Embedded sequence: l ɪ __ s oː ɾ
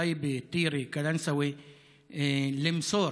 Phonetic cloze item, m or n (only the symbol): m